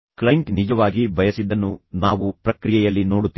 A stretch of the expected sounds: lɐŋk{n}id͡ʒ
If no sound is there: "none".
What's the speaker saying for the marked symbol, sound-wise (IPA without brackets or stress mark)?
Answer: n